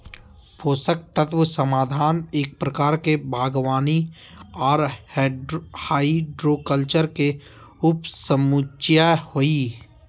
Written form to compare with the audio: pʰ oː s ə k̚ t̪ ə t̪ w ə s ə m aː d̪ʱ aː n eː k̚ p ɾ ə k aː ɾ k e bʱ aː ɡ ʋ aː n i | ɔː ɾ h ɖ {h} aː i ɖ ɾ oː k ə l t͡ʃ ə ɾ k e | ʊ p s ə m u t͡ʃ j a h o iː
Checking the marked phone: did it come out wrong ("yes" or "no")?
no